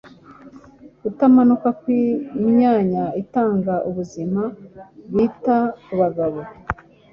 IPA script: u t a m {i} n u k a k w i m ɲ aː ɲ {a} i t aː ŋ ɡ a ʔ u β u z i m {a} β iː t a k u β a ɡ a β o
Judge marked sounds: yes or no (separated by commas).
no, yes, yes